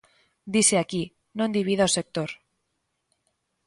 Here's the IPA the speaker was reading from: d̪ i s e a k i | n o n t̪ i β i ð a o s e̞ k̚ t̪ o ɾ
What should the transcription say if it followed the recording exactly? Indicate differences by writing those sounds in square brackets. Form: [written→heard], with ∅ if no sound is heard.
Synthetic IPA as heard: d̪ i s e a k i | n o n [t̪→d̪] i β i ð a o s e̞ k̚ t̪ o ɾ